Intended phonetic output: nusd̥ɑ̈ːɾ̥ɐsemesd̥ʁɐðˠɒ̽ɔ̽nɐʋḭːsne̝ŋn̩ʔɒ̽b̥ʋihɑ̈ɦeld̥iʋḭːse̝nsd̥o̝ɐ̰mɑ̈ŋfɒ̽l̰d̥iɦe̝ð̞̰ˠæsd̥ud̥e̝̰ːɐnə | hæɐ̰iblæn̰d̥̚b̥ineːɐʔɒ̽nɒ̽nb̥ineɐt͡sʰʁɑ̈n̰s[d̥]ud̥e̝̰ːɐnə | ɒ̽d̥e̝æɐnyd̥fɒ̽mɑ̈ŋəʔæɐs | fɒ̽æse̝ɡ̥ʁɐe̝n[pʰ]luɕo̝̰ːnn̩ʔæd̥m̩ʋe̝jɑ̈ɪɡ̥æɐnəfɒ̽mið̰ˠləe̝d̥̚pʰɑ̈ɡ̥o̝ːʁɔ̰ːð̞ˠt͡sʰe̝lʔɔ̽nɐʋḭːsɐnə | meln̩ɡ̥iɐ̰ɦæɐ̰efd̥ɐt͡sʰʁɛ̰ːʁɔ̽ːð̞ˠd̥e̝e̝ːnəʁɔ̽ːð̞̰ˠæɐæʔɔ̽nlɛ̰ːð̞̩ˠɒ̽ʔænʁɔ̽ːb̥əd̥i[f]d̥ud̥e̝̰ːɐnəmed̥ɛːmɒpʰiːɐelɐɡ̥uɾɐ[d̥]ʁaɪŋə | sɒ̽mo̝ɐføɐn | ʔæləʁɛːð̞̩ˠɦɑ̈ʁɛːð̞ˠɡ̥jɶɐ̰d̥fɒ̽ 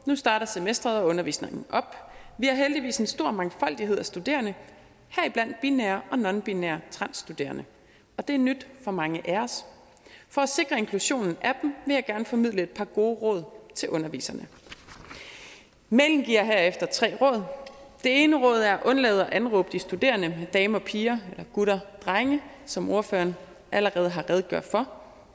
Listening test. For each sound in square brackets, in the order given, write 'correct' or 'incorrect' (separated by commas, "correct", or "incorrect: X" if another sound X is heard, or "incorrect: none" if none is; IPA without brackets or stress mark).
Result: correct, incorrect: kʰ, incorrect: s, correct